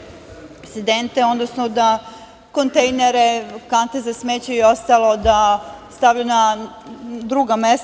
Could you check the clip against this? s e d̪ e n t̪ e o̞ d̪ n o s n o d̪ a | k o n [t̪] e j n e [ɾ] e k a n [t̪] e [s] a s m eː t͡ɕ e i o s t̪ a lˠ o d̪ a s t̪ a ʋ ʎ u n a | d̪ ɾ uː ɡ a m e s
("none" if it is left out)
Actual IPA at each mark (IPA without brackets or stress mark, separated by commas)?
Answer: t̪, ɾ, t̪, z